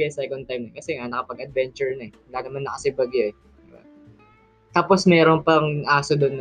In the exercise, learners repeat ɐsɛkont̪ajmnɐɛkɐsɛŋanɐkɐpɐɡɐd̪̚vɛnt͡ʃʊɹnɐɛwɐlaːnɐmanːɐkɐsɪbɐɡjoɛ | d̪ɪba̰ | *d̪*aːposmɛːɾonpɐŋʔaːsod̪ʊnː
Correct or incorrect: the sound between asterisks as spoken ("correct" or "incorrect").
incorrect